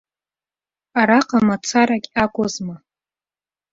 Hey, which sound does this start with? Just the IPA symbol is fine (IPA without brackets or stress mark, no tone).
a